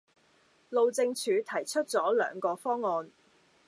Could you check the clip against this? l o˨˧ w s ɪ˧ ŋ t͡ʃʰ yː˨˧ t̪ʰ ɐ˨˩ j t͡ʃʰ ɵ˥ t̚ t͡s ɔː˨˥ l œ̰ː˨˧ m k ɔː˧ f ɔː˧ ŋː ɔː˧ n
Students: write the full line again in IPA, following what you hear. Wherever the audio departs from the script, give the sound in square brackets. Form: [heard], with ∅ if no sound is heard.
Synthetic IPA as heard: l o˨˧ w [t͡s] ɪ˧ ŋ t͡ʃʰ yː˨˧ t̪ʰ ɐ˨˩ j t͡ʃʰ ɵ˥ t̚ t͡s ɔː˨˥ l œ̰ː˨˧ [ŋ] k ɔː˧ f [ɔː˥] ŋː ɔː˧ n

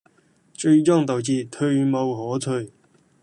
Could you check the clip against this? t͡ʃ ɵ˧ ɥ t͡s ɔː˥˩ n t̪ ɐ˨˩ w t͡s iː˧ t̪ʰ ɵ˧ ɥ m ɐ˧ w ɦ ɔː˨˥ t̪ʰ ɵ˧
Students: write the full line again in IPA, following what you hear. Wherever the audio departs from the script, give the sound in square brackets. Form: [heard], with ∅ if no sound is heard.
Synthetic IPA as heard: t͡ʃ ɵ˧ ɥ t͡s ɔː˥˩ [ŋ] t̪ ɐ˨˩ w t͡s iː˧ t̪ʰ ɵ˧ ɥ m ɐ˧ w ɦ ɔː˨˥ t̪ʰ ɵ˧

